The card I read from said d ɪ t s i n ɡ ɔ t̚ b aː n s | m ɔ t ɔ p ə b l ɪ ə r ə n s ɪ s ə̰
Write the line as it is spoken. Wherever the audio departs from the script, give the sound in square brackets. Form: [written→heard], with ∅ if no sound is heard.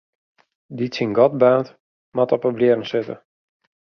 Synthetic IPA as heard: d [ɪ→i] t s i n ɡ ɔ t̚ b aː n [s→t] | m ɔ t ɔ p ə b l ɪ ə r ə n s ɪ [s→t] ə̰